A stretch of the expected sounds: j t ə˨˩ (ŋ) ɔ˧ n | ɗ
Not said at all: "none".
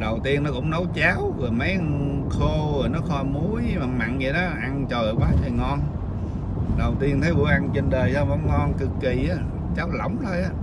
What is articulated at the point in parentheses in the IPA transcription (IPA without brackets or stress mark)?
ŋ